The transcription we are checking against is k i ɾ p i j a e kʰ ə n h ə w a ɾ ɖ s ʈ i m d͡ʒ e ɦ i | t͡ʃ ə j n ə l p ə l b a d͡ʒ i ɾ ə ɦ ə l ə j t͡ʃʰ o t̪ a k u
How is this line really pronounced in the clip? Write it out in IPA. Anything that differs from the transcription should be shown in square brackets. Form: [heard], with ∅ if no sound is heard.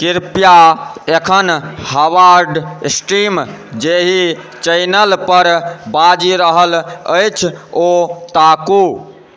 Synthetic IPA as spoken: k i ɾ p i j a e kʰ ə n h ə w a ɾ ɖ s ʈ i m d͡ʒ e ɦ i | t͡ʃ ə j n ə l p ə [ɾ] b a d͡ʒ i ɾ ə ɦ ə l ə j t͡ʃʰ o t̪ a k u